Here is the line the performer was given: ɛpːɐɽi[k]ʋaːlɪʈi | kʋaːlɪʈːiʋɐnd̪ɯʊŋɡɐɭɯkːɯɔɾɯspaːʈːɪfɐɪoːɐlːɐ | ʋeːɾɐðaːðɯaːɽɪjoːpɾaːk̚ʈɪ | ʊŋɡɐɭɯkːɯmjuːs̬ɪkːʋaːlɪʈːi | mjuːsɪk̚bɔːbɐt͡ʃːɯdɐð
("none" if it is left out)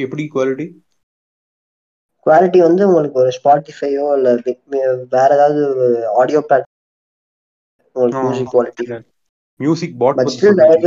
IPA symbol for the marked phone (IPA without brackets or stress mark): k